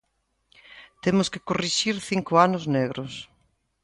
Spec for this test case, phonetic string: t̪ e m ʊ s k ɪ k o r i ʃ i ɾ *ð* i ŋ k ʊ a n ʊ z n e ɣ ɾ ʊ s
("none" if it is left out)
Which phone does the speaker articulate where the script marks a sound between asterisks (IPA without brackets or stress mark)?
θ